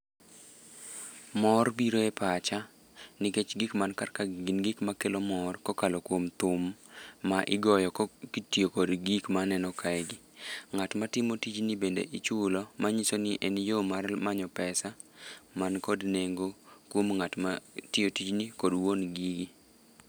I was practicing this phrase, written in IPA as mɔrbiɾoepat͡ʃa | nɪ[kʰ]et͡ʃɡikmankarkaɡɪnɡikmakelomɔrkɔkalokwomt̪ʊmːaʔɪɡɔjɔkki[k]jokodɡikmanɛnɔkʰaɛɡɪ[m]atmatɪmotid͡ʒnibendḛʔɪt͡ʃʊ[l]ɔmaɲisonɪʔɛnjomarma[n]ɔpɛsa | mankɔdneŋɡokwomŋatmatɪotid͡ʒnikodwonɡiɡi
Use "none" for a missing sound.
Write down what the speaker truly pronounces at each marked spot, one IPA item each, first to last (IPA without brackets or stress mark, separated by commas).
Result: k, t, ŋ, l, ɲ